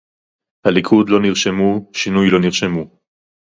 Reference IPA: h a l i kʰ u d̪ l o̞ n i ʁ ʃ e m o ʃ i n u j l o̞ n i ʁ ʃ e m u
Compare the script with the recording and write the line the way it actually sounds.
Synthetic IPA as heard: h a l i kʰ u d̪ l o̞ n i ʁ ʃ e m u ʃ i n u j l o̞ n i ʁ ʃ e m u

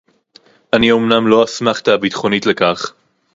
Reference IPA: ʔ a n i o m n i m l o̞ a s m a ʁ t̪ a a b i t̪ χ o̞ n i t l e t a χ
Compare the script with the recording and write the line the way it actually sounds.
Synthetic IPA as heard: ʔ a n i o m n a m l o̞ a s m a χ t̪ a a b i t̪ χ o̞ n i t l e k a χ

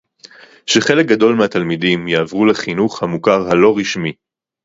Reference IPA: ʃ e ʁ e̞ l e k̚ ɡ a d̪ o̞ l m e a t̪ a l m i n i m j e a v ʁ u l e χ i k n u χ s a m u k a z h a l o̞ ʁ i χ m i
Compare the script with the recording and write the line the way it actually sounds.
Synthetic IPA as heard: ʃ e χ e̞ l e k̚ ɡ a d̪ o̞ l m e a t̪ a l m i d i m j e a v ʁ u l e χ i n u χ h a m u k a ʁ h a l o̞ ʁ i ʃ m i

